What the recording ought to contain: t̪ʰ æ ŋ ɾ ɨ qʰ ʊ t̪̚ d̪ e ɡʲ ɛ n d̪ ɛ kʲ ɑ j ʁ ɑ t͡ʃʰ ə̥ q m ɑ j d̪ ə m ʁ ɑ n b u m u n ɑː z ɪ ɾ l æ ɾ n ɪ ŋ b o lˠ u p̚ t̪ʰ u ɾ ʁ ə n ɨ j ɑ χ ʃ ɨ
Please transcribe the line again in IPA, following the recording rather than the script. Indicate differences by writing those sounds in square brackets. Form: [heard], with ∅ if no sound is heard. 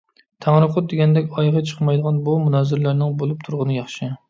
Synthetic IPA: t̪ʰ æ ŋ ɾ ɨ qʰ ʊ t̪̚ d̪ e ɡʲ ɛ n d̪ ɛ kʲ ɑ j ʁ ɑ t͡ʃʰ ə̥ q m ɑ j d̪ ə [∅] ʁ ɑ n b u m u n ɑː z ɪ ɾ l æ ɾ n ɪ ŋ b o lˠ u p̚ t̪ʰ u ɾ ʁ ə n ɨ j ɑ χ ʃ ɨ